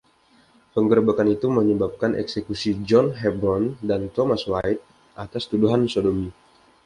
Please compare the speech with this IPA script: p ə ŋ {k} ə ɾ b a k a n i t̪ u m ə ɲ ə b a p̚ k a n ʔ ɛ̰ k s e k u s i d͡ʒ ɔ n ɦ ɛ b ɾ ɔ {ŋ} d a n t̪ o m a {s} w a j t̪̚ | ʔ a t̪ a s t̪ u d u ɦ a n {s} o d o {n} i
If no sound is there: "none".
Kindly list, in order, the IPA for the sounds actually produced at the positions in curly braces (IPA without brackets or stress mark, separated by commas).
ɡ, n, s, s, m